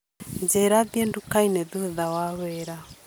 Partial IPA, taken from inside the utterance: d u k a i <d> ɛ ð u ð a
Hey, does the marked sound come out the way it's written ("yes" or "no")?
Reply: no